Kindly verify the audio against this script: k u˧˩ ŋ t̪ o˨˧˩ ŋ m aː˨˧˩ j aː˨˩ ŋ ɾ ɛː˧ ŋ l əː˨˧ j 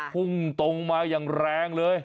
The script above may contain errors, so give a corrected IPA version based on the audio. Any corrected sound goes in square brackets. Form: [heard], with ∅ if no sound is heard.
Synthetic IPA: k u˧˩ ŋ t̪ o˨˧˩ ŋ m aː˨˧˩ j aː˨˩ ŋ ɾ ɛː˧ ŋ l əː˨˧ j